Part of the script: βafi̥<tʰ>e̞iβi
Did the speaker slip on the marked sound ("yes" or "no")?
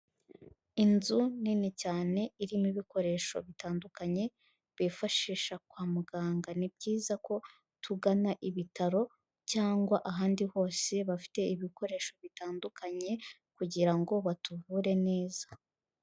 yes